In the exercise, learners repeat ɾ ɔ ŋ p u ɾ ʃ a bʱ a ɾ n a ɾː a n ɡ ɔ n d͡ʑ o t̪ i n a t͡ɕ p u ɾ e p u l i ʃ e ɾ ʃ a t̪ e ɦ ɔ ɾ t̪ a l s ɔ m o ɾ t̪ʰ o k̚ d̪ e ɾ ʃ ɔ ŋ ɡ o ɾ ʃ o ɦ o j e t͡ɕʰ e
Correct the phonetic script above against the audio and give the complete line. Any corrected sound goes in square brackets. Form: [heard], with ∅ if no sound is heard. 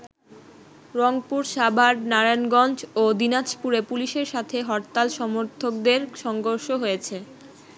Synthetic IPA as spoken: ɾ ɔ ŋ p u ɾ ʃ a bʱ a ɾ n a [ɾ] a n ɡ ɔ n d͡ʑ o [d̪] i n a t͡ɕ p u ɾ e p u l i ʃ e ɾ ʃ a [t̪ʰ] e ɦ ɔ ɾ t̪ a l [ʃ] ɔ m o ɾ t̪ʰ o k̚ d̪ e ɾ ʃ ɔ ŋ ɡ o ɾ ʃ o ɦ o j e t͡ɕʰ e